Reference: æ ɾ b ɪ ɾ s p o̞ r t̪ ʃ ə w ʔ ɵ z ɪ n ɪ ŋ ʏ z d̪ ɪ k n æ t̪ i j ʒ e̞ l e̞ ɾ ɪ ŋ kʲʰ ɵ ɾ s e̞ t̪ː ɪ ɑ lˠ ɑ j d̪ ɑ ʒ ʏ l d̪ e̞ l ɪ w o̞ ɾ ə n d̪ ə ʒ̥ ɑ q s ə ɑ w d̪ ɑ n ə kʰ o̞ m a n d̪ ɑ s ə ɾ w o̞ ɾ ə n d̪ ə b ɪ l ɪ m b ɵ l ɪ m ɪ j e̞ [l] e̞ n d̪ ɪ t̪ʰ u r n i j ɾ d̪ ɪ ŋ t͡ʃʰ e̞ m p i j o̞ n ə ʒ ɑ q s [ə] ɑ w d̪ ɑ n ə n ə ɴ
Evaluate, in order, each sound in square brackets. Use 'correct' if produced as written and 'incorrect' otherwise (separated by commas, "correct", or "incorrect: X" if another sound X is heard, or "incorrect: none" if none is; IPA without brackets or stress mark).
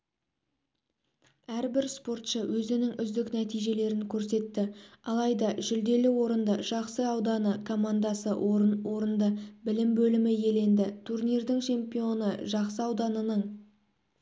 correct, correct